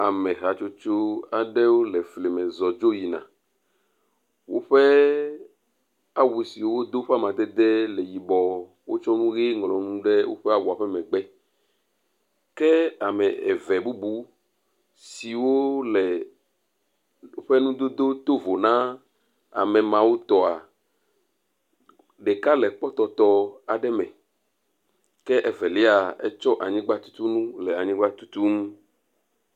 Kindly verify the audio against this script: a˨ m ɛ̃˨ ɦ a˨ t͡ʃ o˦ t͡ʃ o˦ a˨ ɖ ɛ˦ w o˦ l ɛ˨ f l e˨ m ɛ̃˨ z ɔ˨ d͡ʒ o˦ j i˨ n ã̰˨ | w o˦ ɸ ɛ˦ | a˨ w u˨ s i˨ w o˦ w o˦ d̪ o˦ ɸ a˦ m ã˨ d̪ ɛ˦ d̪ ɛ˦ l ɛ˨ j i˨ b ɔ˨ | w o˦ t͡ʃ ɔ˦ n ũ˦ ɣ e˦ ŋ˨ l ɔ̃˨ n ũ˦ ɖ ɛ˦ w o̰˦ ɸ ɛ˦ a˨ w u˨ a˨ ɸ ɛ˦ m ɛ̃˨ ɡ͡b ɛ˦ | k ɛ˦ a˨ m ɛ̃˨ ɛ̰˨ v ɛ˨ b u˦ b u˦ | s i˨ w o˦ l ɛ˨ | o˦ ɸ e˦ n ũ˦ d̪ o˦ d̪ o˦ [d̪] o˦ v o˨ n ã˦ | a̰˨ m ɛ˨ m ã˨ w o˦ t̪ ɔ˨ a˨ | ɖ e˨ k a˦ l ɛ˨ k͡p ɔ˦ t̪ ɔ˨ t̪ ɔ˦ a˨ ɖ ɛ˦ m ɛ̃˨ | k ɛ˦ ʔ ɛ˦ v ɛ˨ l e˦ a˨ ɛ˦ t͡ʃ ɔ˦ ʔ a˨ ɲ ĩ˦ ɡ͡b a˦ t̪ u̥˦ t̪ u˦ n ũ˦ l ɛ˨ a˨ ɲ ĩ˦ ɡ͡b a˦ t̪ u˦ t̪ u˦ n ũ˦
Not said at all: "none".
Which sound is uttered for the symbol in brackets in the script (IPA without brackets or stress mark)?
t̪